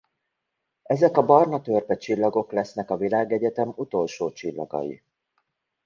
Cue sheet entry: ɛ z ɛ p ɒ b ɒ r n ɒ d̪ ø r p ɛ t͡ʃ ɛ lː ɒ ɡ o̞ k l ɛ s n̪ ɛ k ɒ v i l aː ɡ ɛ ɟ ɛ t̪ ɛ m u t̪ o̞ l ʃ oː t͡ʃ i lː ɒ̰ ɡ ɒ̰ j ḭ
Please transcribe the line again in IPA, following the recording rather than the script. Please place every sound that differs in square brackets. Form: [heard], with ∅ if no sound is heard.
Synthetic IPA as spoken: ɛ z ɛ [k] ɒ b ɒ r n ɒ [t̪] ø r p ɛ t͡ʃ [i] lː ɒ ɡ o̞ k l ɛ s n̪ ɛ k ɒ v i l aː ɡ ɛ ɟ ɛ t̪ ɛ m u t̪ o̞ l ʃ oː t͡ʃ i lː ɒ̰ ɡ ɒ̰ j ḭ